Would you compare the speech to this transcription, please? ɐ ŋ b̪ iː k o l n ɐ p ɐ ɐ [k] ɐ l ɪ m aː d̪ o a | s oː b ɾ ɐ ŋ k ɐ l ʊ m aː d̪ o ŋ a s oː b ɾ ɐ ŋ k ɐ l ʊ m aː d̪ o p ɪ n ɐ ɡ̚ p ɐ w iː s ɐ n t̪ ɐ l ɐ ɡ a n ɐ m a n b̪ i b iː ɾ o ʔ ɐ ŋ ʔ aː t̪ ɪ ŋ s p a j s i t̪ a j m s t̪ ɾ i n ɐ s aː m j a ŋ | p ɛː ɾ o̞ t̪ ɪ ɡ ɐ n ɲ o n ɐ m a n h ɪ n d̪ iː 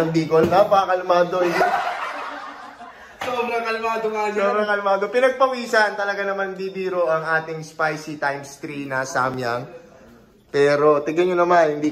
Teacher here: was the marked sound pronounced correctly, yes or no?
yes